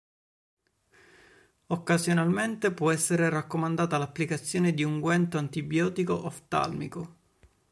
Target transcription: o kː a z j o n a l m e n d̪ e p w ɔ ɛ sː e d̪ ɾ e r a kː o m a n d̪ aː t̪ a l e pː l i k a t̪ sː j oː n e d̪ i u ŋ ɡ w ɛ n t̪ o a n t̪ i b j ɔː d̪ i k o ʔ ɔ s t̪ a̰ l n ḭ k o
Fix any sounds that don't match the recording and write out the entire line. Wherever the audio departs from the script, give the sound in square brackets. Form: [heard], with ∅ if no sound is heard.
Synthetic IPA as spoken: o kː a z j o n a l m e n [t̪] e p w ɔ ɛ sː e [∅] ɾ e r a kː o m a n d̪ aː t̪ a l [a] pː l i k a t̪ sː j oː n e d̪ i u ŋ ɡ w ɛ n t̪ o a n t̪ i b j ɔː [t̪] i k o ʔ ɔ [f] t̪ a̰ l [m] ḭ k o